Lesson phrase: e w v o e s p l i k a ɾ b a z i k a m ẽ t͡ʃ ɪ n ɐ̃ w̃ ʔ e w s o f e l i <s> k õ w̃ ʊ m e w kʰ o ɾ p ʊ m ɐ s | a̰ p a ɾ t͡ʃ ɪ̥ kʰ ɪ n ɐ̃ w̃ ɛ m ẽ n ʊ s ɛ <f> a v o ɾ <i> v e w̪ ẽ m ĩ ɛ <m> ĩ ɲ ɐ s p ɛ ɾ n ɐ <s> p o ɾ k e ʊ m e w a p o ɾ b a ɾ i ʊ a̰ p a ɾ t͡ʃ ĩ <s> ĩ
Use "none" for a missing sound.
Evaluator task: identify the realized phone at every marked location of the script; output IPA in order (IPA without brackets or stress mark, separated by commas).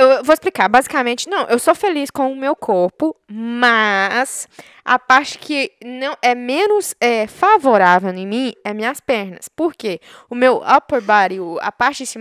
s, f, a, m, s, s